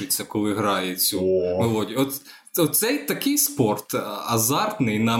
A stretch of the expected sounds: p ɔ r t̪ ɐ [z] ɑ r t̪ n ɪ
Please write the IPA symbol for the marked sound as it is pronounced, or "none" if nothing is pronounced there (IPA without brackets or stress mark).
z